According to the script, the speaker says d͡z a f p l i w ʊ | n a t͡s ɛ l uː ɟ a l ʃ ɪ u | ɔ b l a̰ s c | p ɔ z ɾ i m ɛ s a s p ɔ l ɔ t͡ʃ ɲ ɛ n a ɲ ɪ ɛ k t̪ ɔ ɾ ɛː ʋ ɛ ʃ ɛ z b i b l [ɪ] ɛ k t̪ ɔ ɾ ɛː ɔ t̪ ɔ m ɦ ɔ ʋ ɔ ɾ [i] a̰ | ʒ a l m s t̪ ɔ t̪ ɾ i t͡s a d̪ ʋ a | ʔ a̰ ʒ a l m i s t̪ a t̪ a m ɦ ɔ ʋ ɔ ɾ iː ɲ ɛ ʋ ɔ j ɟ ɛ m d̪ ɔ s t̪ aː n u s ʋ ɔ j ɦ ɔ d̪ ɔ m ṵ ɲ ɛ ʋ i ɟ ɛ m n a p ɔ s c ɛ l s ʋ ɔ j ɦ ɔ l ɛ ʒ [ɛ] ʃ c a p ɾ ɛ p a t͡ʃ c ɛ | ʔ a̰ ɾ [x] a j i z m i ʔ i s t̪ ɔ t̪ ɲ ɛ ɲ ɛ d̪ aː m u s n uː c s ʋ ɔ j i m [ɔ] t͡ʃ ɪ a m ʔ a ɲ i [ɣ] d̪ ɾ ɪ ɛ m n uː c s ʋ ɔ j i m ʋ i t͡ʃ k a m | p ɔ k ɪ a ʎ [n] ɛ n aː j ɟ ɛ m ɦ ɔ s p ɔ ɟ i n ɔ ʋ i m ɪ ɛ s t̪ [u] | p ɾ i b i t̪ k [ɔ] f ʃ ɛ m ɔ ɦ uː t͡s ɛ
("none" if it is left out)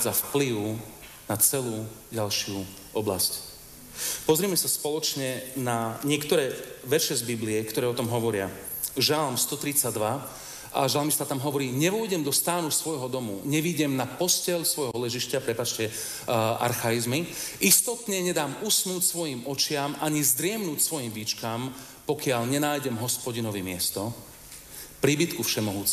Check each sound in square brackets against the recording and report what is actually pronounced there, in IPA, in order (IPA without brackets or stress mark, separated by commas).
i, ɪ, i, x, ɔ, z, ɲ, ɔ, u